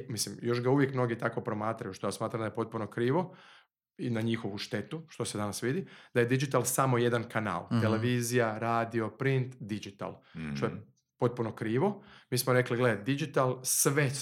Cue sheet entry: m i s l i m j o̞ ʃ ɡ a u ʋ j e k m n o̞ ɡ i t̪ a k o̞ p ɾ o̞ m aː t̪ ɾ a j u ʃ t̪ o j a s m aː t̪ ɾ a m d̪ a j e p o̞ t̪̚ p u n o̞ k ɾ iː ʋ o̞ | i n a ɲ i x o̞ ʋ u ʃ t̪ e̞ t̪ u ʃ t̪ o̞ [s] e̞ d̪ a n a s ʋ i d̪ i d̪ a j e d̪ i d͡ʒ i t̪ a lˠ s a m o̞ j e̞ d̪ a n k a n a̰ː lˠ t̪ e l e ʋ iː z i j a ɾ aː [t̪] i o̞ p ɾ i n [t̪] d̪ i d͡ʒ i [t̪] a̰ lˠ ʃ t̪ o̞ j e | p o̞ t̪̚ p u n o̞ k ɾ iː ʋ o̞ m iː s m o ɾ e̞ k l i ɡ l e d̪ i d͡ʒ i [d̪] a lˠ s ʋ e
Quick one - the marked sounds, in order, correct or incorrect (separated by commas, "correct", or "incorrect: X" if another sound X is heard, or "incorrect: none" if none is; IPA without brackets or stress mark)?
correct, incorrect: d̪, correct, correct, incorrect: t̪